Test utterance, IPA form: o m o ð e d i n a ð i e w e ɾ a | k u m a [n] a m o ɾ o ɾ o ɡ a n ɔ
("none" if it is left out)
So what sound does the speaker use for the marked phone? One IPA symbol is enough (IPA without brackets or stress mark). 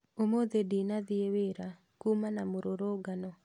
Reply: n